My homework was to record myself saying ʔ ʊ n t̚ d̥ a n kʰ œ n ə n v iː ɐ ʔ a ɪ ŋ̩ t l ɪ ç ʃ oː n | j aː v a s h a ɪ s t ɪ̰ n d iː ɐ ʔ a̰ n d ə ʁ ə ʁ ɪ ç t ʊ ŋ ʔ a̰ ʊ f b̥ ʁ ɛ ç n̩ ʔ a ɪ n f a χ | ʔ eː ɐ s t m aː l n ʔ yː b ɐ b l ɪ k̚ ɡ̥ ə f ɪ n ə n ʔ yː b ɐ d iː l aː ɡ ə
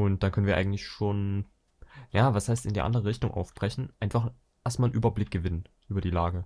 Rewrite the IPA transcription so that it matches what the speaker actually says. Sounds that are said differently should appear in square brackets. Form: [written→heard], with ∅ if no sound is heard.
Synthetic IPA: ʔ ʊ n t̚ d̥ a n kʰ œ n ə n v iː ɐ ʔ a ɪ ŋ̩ t l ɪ ç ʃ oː n | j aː v a s h a ɪ s t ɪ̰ n d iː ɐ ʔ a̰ n d ə ʁ ə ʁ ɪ ç t ʊ ŋ ʔ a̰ ʊ f b̥ ʁ ɛ ç n̩ ʔ a ɪ n f a χ | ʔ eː ɐ s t m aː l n ʔ yː b ɐ b l ɪ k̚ ɡ̥ ə [f→v] ɪ n ə n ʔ yː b ɐ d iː l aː ɡ ə

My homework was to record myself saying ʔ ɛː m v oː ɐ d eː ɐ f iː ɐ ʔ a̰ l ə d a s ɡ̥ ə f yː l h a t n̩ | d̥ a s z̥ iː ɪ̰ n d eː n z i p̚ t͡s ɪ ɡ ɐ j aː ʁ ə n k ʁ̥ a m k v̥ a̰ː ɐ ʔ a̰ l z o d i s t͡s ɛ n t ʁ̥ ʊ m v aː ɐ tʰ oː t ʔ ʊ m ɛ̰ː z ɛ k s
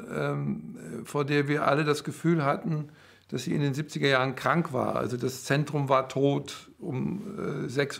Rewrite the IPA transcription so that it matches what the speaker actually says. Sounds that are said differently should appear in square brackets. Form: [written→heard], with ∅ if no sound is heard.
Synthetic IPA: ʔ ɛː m [v→f] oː ɐ d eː ɐ [f→v] iː ɐ ʔ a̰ l ə d a s ɡ̥ ə f yː l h a t n̩ | d̥ a s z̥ iː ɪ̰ n d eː n z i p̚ t͡s ɪ ɡ ɐ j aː ʁ ə n k ʁ̥ a [m→ŋ] k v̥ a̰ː ɐ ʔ a̰ l z o d [i→a] s t͡s ɛ n t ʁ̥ ʊ m v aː ɐ tʰ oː t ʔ ʊ m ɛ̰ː z ɛ k s

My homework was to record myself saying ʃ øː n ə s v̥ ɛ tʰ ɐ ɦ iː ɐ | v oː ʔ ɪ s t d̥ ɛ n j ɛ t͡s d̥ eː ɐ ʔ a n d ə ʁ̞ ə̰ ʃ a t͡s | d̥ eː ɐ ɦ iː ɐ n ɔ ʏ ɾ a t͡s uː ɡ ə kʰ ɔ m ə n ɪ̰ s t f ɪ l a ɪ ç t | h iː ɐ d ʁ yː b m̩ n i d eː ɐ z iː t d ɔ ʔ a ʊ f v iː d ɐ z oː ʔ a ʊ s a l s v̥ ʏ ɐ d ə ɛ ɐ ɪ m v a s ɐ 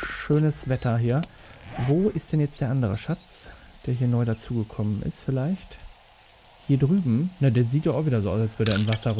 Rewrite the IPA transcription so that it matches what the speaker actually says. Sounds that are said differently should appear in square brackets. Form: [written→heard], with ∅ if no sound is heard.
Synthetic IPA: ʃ øː n ə s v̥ ɛ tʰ ɐ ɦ iː ɐ | v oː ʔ ɪ s t d̥ ɛ n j ɛ t͡s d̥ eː ɐ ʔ a n d ə ʁ̞ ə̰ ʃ a t͡s | d̥ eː ɐ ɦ iː ɐ n ɔ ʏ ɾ a t͡s uː ɡ ə kʰ ɔ m ə n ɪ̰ s t f ɪ l a ɪ ç t | h iː ɐ d ʁ yː b m̩ n [i→a] d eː ɐ z iː t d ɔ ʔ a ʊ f v iː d ɐ z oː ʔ a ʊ s a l s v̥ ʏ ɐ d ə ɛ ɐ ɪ m v a s ɐ

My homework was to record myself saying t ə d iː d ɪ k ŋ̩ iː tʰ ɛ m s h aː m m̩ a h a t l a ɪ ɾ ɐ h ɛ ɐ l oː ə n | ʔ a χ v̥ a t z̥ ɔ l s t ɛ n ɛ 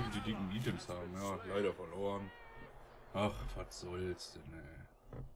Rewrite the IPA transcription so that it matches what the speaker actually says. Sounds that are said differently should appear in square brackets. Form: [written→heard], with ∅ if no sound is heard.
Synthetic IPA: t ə d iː d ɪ k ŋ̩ iː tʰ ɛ m s h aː [m→b] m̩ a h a t l a ɪ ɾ ɐ [h→f] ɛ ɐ l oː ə n | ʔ a χ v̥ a t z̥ ɔ l s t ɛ n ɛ

